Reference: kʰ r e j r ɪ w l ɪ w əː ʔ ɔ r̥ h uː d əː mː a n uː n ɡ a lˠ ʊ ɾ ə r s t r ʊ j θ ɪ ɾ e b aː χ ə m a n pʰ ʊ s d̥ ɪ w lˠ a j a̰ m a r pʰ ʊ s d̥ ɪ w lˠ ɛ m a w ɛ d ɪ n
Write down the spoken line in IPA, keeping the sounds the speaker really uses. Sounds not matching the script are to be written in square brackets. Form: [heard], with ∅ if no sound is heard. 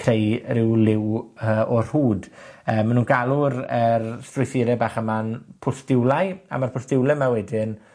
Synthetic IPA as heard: kʰ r e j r ɪ w l ɪ w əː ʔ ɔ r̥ h uː d əː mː a n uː n ɡ a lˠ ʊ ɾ ə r s t r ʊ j θ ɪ ɾ [ɛ] b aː χ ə m a n pʰ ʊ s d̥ ɪ w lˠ a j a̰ m a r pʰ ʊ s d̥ ɪ w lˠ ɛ m a w ɛ d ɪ n